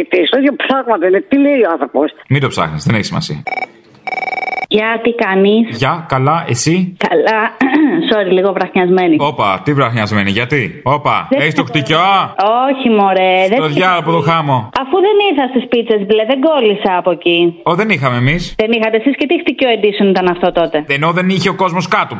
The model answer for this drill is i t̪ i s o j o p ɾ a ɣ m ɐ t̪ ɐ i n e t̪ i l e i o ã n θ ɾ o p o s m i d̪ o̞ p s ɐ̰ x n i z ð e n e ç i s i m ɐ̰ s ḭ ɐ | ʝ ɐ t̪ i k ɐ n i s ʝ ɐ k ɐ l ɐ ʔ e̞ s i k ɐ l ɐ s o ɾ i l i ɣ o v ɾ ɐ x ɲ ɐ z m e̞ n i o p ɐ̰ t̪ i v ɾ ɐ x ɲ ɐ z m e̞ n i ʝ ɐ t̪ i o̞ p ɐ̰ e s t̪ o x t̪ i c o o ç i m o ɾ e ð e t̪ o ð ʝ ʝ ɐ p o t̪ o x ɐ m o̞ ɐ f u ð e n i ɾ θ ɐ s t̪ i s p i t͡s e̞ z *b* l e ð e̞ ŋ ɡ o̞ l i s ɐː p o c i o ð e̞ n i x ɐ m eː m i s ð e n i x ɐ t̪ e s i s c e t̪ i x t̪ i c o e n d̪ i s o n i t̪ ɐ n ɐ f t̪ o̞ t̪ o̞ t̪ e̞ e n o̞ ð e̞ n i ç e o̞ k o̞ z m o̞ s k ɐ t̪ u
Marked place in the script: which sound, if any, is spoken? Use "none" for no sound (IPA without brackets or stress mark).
b